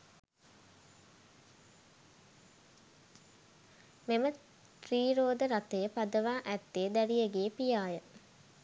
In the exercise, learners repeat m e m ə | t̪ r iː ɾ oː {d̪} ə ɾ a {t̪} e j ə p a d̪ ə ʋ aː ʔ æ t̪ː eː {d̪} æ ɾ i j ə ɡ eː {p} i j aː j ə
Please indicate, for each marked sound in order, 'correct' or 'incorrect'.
correct, correct, correct, correct

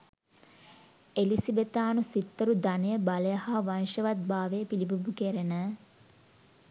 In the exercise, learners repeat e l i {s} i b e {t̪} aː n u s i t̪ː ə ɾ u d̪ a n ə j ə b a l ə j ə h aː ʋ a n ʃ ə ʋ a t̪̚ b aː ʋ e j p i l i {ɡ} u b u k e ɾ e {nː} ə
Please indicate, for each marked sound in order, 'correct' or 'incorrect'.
correct, correct, incorrect: b, incorrect: n

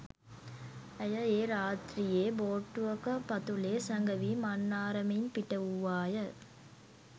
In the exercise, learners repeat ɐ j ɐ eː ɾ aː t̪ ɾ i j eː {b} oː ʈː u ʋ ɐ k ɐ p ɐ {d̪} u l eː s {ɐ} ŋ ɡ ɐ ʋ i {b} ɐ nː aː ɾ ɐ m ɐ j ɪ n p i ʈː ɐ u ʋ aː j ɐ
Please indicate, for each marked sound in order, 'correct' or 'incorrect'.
correct, incorrect: t̪, correct, incorrect: m

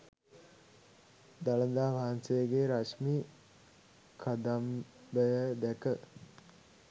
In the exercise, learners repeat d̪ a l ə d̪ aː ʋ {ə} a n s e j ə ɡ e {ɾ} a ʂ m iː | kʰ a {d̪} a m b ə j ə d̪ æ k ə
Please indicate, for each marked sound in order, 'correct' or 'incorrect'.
incorrect: a, correct, correct

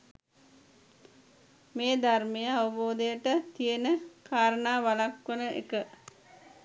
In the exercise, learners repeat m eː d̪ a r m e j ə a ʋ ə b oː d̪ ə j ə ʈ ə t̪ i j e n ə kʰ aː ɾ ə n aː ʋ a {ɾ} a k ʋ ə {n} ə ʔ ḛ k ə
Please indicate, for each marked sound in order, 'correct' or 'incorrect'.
incorrect: l, correct

